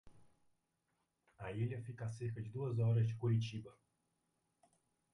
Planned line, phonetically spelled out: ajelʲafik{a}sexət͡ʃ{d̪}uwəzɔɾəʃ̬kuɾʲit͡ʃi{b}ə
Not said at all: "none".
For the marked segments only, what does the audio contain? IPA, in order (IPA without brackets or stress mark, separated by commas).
a, d̪, b